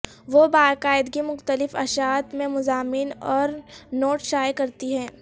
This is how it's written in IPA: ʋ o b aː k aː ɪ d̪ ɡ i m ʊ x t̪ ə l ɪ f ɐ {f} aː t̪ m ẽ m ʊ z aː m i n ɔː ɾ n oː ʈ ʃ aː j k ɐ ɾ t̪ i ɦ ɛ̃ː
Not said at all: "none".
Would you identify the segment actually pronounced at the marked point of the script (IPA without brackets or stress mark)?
ʃ